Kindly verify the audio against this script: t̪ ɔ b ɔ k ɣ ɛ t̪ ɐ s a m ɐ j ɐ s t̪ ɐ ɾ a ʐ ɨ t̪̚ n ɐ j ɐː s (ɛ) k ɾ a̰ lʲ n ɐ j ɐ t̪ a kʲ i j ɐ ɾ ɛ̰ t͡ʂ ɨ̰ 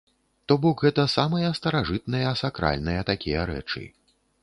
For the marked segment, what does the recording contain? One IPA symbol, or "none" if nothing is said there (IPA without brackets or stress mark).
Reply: a